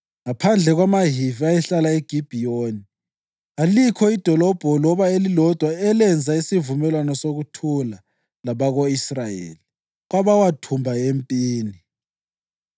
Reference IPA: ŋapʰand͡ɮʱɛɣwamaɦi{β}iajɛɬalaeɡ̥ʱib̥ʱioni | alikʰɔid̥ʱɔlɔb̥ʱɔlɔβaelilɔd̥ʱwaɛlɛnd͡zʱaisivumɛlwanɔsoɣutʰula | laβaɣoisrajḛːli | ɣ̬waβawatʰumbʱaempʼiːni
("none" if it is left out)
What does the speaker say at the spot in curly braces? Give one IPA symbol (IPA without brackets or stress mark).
v